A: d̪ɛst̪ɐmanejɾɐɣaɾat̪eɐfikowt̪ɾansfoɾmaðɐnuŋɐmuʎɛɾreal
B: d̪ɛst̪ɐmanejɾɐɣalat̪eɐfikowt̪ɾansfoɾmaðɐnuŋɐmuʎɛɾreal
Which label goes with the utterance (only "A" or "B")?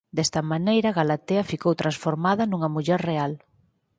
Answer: B